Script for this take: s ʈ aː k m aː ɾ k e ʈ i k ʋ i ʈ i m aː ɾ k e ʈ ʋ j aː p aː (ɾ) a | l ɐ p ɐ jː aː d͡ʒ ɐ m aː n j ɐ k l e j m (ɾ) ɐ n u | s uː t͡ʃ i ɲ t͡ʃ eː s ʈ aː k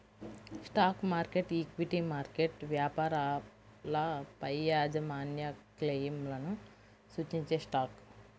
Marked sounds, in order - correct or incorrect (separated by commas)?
correct, incorrect